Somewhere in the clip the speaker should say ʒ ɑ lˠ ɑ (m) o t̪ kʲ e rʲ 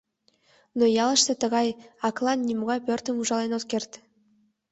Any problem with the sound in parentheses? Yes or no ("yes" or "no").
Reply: yes